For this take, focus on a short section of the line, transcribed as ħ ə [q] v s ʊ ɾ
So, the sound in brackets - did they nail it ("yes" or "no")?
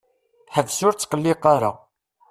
no